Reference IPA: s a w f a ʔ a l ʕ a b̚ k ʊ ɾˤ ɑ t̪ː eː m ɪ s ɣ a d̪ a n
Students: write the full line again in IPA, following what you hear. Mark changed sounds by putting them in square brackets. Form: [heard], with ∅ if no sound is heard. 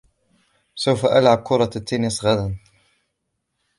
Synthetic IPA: s a w f a ʔ a l ʕ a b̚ k ʊ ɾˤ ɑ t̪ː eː [n] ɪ s ɣ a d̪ a n